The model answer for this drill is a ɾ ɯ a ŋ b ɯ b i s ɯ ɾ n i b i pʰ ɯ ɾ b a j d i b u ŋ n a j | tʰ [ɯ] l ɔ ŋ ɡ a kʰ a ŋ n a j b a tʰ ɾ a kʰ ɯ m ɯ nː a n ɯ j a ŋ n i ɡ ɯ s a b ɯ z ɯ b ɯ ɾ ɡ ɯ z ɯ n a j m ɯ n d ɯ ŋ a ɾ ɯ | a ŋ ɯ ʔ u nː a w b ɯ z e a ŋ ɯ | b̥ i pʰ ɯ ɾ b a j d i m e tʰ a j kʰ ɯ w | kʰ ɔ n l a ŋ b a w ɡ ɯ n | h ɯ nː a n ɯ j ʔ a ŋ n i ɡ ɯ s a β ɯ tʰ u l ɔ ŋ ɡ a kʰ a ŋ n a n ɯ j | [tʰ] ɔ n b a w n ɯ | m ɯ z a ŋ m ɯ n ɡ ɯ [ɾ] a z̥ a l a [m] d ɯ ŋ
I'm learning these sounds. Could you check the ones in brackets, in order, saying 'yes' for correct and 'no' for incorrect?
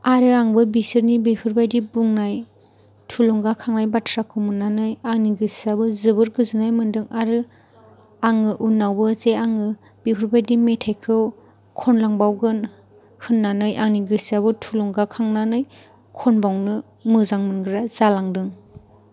no, no, yes, no

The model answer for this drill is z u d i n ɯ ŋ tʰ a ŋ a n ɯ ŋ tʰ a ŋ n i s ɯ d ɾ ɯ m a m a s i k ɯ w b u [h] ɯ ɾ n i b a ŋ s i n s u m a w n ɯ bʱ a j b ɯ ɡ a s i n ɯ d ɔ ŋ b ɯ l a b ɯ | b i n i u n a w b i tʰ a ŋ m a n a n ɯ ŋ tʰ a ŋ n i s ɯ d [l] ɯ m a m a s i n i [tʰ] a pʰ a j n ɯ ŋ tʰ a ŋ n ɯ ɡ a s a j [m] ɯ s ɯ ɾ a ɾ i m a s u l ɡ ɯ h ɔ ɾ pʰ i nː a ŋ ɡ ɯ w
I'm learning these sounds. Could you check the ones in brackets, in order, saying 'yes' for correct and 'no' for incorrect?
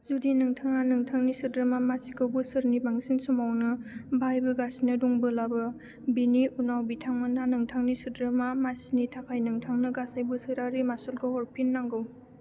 no, no, yes, no

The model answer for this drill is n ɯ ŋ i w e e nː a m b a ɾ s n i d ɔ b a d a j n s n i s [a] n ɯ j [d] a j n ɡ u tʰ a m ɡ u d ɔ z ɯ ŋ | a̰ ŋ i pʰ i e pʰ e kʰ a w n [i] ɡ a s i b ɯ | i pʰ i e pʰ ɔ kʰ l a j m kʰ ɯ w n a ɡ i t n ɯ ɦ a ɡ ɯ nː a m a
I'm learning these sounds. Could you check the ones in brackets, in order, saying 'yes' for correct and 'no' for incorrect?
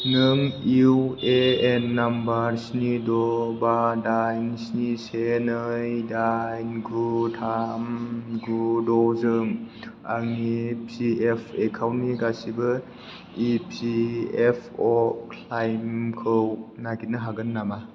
no, yes, yes

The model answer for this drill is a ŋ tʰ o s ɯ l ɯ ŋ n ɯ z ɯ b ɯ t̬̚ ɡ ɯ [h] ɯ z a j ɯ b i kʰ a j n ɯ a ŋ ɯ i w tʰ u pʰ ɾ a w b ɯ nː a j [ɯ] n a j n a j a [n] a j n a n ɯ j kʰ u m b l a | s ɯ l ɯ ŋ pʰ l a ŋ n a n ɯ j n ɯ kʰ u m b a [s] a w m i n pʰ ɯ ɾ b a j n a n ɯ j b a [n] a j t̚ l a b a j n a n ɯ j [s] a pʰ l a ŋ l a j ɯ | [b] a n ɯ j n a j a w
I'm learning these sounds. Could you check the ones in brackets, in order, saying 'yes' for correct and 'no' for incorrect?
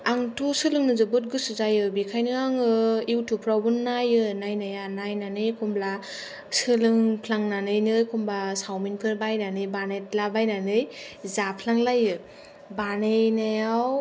no, yes, yes, yes, yes, no, yes

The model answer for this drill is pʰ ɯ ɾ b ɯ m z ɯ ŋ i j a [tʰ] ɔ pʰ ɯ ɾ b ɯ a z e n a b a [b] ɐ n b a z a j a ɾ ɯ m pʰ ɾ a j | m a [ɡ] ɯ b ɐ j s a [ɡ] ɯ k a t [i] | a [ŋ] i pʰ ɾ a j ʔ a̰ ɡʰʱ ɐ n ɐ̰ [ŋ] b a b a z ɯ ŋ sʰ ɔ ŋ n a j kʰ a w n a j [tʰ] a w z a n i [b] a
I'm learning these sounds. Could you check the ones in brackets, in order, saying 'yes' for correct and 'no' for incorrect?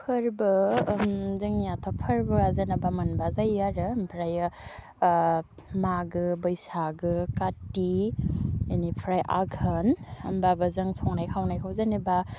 yes, no, yes, yes, yes, no, no, no, yes

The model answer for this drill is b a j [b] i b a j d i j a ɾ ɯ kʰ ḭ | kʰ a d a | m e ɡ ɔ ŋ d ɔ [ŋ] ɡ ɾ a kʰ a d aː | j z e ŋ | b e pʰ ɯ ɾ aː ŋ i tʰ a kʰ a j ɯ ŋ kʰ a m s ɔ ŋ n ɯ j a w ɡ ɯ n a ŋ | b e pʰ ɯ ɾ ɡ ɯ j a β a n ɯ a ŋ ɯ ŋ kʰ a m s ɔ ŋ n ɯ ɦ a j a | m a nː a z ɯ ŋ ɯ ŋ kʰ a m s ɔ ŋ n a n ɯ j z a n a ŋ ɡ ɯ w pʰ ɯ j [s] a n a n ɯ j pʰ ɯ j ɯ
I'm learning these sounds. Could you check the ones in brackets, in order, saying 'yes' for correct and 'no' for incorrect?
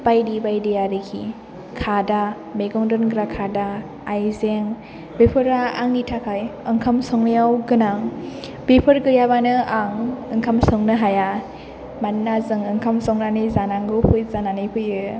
no, no, no

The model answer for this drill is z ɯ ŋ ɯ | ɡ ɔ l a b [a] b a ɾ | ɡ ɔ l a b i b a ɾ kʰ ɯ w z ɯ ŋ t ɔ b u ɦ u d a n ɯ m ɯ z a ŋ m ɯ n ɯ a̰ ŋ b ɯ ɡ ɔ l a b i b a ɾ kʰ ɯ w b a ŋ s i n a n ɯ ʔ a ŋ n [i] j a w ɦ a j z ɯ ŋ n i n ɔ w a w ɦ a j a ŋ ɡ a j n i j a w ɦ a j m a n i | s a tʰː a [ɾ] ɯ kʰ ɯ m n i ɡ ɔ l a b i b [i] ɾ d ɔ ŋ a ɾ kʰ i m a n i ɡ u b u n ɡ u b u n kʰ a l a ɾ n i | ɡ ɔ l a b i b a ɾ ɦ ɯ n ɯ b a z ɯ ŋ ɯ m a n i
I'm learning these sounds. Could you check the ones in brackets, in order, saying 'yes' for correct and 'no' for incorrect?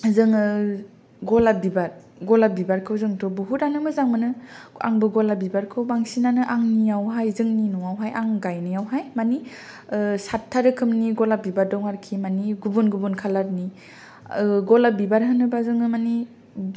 no, yes, yes, no

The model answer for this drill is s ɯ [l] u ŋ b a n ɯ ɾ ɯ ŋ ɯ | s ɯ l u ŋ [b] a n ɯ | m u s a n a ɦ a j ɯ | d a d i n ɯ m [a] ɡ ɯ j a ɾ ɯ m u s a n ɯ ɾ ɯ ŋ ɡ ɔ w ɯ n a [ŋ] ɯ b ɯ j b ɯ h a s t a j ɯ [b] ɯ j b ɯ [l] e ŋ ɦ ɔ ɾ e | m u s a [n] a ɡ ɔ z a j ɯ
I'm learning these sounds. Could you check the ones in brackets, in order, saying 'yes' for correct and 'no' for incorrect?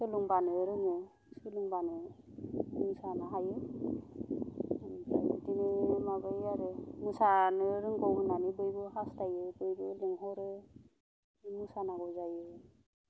yes, yes, yes, no, yes, yes, yes

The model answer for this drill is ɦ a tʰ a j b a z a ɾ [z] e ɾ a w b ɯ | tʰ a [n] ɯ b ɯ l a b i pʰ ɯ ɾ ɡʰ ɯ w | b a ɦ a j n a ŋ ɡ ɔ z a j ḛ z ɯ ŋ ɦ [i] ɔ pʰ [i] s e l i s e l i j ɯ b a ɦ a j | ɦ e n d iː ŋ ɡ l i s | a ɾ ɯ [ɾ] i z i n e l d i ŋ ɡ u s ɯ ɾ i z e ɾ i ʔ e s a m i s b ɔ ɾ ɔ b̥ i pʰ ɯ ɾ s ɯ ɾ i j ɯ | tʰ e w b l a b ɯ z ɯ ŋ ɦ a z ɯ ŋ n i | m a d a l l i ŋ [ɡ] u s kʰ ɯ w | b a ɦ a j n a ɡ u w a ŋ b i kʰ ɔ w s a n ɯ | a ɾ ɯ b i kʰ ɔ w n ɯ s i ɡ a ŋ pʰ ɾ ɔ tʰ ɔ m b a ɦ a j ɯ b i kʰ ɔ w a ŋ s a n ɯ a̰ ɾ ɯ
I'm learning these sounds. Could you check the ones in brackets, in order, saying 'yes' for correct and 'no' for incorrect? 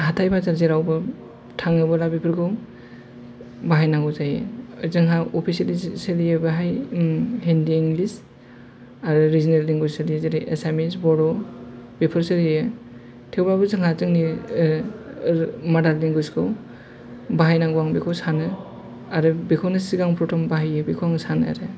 yes, no, no, yes, yes, yes

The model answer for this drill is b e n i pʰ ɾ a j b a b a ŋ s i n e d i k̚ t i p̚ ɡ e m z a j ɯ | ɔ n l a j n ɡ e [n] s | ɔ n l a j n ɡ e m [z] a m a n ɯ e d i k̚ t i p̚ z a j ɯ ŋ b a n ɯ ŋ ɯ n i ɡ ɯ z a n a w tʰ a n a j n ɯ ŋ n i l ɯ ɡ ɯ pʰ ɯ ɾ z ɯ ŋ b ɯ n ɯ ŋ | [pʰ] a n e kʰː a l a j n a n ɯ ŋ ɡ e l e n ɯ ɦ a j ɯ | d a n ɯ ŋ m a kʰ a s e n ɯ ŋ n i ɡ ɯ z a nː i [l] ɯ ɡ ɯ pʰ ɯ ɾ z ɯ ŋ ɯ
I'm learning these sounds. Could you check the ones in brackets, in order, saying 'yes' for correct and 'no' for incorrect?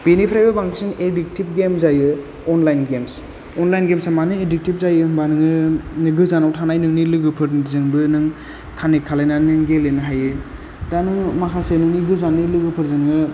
no, no, no, yes

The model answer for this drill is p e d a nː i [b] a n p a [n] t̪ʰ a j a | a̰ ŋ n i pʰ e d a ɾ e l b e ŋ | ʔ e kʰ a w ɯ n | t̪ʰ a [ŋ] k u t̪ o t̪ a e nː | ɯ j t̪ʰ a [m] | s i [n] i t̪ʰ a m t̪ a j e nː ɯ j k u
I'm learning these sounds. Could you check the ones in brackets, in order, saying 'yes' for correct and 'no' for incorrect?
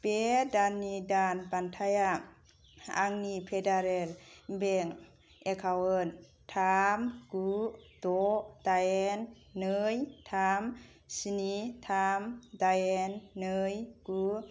no, yes, no, yes, yes

